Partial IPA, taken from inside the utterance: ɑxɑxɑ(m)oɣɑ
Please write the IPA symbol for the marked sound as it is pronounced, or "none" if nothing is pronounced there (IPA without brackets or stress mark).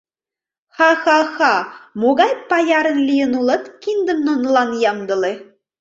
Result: m